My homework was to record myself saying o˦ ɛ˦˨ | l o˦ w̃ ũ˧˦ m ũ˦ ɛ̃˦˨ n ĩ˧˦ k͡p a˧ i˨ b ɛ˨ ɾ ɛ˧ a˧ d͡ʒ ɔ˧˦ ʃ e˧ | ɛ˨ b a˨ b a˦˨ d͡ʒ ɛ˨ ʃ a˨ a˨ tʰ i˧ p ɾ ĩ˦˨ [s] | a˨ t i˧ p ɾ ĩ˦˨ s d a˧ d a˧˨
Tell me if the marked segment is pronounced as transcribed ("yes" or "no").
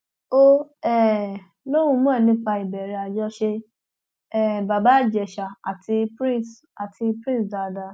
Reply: yes